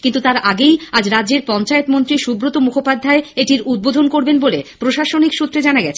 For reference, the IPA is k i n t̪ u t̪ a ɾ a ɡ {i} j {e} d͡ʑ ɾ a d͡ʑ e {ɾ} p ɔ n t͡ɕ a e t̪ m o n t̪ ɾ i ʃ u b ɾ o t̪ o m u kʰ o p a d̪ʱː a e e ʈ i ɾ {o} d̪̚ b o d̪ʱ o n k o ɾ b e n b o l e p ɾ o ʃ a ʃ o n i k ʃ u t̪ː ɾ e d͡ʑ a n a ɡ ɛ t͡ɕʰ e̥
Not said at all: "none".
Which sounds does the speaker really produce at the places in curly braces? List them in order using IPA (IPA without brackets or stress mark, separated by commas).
e, a, ɾ, u